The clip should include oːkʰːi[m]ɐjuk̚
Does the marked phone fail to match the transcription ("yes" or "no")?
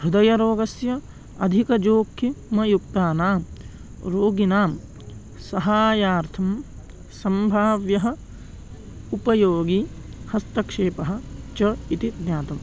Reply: no